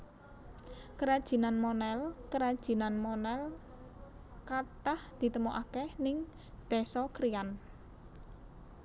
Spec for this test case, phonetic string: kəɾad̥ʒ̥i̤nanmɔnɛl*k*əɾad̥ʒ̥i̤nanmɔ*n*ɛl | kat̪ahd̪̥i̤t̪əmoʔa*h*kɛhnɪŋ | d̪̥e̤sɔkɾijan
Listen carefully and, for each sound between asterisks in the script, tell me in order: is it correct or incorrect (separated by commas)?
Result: correct, correct, incorrect